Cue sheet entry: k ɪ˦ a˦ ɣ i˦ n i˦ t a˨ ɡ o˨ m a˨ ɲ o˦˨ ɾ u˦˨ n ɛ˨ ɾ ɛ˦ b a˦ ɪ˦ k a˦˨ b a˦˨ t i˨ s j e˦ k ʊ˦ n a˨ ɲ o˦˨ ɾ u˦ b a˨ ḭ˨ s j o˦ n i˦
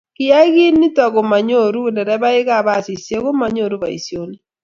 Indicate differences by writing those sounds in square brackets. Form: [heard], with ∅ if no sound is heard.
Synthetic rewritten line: k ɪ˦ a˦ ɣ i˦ n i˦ t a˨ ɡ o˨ m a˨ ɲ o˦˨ ɾ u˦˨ n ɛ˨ ɾ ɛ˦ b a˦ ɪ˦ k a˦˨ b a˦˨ [s] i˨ s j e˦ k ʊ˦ [m] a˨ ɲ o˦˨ ɾ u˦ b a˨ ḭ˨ s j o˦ n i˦